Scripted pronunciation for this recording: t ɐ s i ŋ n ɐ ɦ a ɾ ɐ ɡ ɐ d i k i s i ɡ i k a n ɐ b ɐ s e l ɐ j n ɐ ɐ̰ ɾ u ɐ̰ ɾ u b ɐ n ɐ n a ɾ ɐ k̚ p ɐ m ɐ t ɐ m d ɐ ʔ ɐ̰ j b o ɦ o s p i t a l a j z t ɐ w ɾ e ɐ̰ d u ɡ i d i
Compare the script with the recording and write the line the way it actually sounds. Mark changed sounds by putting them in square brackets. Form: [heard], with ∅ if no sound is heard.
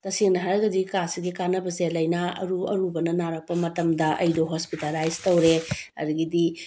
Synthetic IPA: t ɐ s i ŋ n ɐ ɦ a ɾ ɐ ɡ ɐ d i k [a] s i ɡ i k a n ɐ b ɐ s e l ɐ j n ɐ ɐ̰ ɾ u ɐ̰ ɾ u b ɐ n ɐ n a ɾ ɐ k̚ p ɐ m ɐ t ɐ m d ɐ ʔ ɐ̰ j [d] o ɦ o s p i t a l a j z t ɐ w ɾ e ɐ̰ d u ɡ i d i

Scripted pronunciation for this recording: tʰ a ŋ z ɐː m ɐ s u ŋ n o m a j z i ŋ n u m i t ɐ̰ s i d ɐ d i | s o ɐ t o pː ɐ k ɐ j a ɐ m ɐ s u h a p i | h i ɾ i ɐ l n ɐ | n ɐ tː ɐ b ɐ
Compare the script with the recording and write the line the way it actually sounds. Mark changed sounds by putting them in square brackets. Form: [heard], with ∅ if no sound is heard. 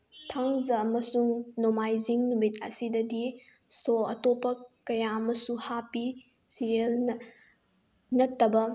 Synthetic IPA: tʰ a ŋ z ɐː m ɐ s u ŋ n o m a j z i ŋ n u m i t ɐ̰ s i d ɐ d i | s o ɐ t o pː ɐ k ɐ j a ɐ m ɐ s u h a p i | [s] i ɾ i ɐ l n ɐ | n ɐ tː ɐ b ɐ

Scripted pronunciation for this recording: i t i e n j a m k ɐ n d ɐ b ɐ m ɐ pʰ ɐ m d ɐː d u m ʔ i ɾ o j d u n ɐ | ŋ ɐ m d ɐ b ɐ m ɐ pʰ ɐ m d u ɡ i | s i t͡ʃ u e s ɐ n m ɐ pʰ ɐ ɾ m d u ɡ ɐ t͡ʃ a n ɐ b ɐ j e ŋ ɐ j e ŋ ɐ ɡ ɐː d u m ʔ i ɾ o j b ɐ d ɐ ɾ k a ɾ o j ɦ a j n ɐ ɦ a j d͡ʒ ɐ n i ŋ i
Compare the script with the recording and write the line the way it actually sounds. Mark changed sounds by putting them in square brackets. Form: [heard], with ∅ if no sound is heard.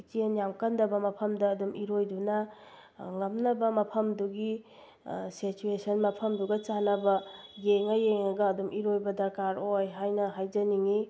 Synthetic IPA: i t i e n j a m k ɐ n d ɐ b ɐ m ɐ pʰ ɐ m d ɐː d u m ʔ i ɾ o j d u n ɐ | ŋ ɐ m [n] ɐ b ɐ m ɐ pʰ ɐ m d u ɡ i | s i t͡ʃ u e s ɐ n m ɐ pʰ ɐ [∅] m d u ɡ ɐ t͡ʃ a n ɐ b ɐ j e ŋ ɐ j e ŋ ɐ ɡ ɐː d u m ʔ i ɾ o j b ɐ d ɐ ɾ k a ɾ o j ɦ a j n ɐ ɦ a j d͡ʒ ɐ n i ŋ i

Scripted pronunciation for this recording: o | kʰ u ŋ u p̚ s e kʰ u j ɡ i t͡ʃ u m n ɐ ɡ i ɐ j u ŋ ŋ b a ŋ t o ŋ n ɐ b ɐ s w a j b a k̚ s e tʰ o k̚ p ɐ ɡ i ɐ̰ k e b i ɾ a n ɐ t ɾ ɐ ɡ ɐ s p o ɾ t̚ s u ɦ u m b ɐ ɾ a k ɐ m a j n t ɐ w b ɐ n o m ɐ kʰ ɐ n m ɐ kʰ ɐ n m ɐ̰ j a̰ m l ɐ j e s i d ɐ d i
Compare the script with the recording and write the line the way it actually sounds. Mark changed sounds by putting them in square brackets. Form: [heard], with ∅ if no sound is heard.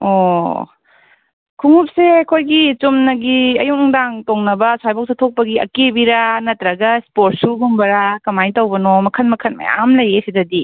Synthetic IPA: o | kʰ u ŋ u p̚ s e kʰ [o] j ɡ i t͡ʃ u m n ɐ ɡ i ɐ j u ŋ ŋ [d] a ŋ t o ŋ n ɐ b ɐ s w a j b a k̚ s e tʰ o k̚ p ɐ ɡ i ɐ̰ k e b i ɾ a n ɐ t ɾ ɐ ɡ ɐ s p o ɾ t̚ s u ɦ u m b ɐ ɾ a k ɐ m a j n t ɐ w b ɐ n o m ɐ kʰ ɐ n m ɐ kʰ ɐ n m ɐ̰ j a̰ m l ɐ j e s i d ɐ d i

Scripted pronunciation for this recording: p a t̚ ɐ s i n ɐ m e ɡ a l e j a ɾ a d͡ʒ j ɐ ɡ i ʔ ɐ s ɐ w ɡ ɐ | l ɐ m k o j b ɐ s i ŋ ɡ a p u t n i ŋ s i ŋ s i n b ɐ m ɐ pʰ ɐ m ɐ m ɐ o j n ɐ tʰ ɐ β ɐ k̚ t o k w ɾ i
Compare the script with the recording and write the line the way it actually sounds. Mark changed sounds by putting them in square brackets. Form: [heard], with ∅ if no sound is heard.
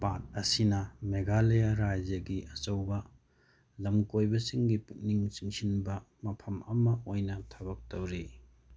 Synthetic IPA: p a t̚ ɐ s i n ɐ m e ɡ a l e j a ɾ a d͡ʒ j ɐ ɡ i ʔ ɐ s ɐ w [b] ɐ | l ɐ m k o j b ɐ s i ŋ ɡ [i] p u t n i ŋ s i ŋ s i n b ɐ m ɐ pʰ ɐ m ɐ m ɐ o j n ɐ tʰ ɐ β ɐ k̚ t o [∅] w ɾ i

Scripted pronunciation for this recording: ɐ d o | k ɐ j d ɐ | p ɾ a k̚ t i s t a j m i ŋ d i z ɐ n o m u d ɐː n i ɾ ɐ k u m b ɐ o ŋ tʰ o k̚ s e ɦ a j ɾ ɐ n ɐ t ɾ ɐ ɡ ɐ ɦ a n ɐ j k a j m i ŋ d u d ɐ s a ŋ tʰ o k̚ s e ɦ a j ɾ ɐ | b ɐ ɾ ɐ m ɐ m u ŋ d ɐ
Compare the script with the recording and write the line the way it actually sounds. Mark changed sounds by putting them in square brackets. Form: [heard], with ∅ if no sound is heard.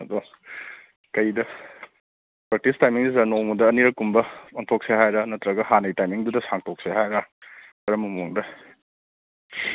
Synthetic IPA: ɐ d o | k ɐ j d ɐ | p ɾ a k̚ t i s t a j m i ŋ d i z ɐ n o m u d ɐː n i ɾ ɐ k u m b ɐ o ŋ tʰ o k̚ s e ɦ a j ɾ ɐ n ɐ t ɾ ɐ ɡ ɐ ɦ a n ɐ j [t] a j m i ŋ d u d ɐ s a ŋ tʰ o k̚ s e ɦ a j ɾ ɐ | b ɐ ɾ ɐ m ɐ m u ŋ d ɐ

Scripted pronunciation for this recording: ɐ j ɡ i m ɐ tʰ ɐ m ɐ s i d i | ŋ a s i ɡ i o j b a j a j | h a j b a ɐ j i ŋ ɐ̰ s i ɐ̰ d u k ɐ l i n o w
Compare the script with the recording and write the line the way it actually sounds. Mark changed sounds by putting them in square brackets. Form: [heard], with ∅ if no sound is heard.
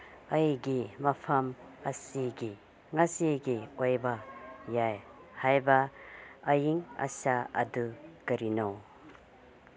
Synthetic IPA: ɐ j ɡ i m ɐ [pʰ] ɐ m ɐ s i [ɡ] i | ŋ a s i ɡ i o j b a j a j | h a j b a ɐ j i ŋ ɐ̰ s [a] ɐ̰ d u k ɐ [ɾ] i n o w

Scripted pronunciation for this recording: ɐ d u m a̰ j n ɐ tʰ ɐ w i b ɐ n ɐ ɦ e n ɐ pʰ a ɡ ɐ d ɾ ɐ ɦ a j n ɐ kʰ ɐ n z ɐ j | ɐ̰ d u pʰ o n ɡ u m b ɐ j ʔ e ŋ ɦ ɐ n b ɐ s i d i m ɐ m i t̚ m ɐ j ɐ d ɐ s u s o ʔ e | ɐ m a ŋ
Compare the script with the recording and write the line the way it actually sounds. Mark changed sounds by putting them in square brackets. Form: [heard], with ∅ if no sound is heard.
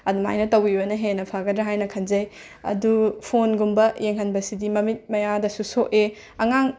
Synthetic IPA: ɐ d u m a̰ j n ɐ [t] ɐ w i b ɐ n ɐ ɦ e n ɐ pʰ a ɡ ɐ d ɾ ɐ ɦ a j n ɐ kʰ ɐ n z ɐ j | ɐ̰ d u pʰ o n ɡ u m b ɐ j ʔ e ŋ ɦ ɐ n b ɐ s i d i m ɐ m i t̚ m ɐ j [a] d ɐ s u s o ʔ e | ɐ [ŋ] a ŋ

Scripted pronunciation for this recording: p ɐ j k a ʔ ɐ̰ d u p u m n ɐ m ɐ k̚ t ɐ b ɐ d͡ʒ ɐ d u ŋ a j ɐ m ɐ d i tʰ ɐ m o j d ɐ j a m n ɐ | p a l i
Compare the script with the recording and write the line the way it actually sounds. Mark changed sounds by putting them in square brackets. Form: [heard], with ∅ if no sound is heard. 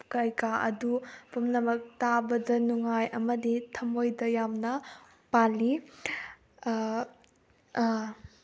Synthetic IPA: [k] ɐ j k a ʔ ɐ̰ d u p u m n ɐ m ɐ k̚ t [a] b ɐ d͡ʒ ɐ [n] u ŋ a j ɐ m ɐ d i tʰ ɐ m o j d ɐ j a m n ɐ | p a l i

